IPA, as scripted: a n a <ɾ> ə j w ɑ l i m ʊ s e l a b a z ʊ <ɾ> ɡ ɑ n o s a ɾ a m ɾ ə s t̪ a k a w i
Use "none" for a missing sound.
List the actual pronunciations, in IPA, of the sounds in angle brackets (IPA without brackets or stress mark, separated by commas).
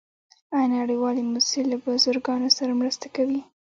ɽ, ɾ